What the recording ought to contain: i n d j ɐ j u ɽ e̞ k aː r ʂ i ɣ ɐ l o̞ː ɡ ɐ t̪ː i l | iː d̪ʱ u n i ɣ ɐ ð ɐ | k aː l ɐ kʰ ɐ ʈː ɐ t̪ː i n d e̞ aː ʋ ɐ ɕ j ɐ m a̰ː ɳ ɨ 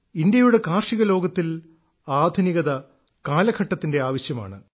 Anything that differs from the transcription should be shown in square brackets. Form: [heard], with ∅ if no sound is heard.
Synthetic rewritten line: i n d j ɐ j u ɽ e̞ k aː r ʂ i ɣ ɐ l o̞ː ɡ ɐ t̪ː i l | [aː] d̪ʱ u n i ɣ ɐ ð ɐ | k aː l ɐ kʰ ɐ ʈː ɐ t̪ː i n d e̞ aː ʋ ɐ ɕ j ɐ m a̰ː ɳ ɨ